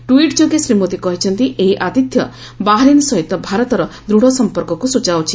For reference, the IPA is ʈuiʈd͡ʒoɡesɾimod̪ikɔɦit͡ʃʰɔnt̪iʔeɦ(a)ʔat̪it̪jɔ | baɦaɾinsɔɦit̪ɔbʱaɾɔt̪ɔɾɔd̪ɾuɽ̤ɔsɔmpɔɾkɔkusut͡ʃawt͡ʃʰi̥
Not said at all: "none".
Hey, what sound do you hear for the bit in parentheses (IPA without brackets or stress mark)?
i